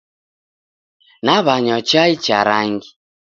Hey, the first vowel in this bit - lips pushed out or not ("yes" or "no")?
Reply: no